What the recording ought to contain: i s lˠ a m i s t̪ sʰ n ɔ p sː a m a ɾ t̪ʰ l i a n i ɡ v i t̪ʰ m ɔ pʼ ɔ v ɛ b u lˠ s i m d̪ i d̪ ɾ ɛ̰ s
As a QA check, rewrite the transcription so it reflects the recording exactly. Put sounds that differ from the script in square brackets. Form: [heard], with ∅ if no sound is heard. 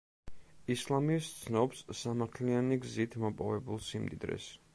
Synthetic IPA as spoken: i s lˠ a m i s t̪ sʰ n ɔ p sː a m a ɾ t̪ʰ l i a n i ɡ [z] i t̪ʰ m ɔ pʼ ɔ v ɛ b u lˠ s i m d̪ i d̪ ɾ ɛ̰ s